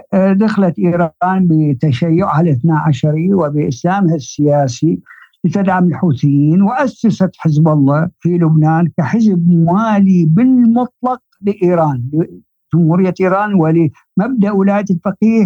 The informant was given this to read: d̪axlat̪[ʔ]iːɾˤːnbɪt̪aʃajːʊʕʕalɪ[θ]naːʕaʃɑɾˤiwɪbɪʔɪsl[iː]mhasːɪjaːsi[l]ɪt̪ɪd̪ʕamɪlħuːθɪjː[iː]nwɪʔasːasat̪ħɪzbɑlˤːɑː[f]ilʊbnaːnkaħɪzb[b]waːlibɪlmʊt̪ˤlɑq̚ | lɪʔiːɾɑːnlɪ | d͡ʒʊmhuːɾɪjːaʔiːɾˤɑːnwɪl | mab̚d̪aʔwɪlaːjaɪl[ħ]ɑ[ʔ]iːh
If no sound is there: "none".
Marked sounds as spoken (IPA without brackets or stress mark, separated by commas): ʔ, θ, aː, l, iː, f, m, f, q